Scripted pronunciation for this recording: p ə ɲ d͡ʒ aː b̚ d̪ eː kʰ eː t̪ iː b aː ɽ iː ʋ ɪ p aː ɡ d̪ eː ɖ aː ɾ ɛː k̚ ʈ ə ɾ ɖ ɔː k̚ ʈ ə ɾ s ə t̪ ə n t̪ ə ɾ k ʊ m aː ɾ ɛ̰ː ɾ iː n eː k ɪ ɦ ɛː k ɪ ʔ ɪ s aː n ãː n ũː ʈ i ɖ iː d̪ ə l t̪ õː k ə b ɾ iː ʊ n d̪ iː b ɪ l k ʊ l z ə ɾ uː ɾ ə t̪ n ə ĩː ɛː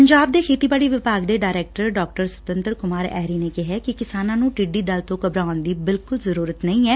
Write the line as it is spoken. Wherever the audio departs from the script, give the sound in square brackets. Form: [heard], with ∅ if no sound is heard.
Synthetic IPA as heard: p ə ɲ d͡ʒ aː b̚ d̪ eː kʰ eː t̪ iː b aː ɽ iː ʋ ɪ p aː ɡ d̪ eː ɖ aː ɾ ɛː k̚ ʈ ə ɾ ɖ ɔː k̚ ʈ ə ɾ s ə t̪ ə n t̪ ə ɾ k ʊ m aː ɾ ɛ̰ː ɾ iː n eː k ɪ ɦ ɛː k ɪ [k] ɪ s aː n ãː n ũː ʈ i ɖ iː d̪ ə l t̪ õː k ə b ɾ [aː] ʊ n d̪ iː b ɪ l k ʊ l z ə ɾ uː ɾ ə t̪ n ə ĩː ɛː